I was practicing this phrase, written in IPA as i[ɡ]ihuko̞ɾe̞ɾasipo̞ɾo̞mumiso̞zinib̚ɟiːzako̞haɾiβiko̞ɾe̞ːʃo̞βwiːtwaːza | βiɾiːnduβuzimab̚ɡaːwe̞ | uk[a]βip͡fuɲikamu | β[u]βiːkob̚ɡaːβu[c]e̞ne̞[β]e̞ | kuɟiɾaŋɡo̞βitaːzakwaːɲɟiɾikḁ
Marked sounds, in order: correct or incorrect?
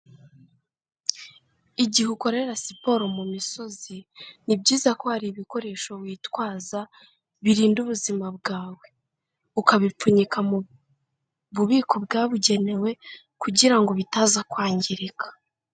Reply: incorrect: ɟ, correct, correct, incorrect: ɟ, incorrect: w

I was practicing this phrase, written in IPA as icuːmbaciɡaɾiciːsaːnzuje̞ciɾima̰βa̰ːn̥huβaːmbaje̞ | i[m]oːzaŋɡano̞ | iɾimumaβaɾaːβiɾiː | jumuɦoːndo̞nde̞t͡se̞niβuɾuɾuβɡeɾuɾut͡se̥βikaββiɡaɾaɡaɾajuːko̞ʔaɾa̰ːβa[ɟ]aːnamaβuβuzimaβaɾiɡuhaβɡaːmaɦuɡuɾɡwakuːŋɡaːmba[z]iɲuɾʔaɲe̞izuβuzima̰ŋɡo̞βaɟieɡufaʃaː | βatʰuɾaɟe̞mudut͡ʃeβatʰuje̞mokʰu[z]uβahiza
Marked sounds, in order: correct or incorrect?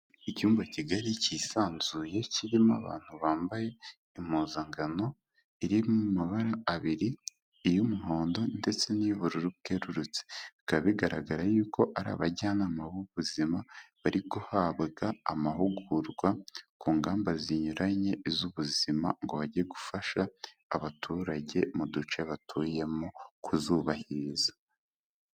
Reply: correct, correct, correct, correct

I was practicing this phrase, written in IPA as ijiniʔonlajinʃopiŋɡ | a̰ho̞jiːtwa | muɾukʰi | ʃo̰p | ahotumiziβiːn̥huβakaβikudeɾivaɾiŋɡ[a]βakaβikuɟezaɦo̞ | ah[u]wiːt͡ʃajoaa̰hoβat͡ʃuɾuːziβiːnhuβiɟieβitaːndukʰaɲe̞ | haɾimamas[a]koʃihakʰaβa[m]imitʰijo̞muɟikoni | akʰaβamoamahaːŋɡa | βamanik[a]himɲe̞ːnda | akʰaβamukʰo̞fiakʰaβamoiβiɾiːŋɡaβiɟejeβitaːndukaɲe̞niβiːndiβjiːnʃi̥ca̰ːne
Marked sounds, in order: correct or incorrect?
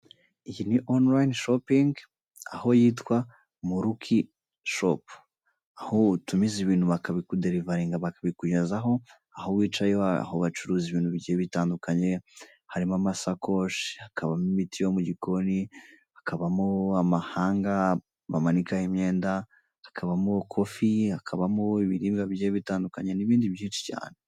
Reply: correct, incorrect: o, correct, correct, correct

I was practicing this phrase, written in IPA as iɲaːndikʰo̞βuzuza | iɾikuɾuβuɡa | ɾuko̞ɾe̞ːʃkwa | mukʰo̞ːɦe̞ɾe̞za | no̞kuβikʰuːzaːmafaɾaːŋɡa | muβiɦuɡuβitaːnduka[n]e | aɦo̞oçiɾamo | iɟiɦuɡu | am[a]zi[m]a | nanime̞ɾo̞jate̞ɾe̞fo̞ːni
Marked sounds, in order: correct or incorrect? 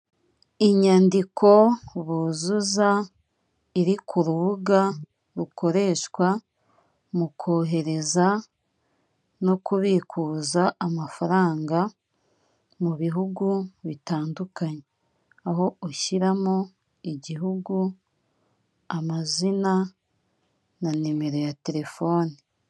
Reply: incorrect: ɲ, correct, incorrect: n

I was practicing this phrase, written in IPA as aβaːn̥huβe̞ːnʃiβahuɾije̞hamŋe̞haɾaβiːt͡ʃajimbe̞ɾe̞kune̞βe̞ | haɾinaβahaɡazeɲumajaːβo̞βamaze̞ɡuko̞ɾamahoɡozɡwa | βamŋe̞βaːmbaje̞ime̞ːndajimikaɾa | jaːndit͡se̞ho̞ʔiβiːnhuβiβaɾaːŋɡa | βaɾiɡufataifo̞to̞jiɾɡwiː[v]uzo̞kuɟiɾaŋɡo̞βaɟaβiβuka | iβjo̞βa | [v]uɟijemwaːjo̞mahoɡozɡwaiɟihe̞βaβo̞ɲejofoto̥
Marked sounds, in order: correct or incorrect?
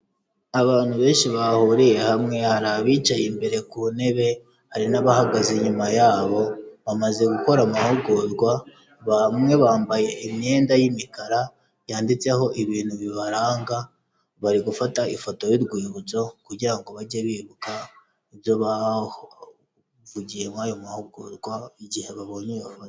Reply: incorrect: β, correct

